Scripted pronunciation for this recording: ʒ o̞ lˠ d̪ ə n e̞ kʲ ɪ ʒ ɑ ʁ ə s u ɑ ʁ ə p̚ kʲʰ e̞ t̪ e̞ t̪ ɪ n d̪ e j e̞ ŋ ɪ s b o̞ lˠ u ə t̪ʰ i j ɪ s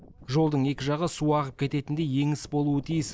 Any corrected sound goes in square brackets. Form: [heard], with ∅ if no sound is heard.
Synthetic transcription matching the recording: ʒ o̞ lˠ d̪ ə [ɴ] e̞ kʲ ɪ ʒ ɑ ʁ ə s u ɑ ʁ ə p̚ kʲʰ e̞ t̪ e̞ t̪ ɪ n d̪ e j e̞ ŋ ɪ s b o̞ lˠ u ə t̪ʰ i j ɪ s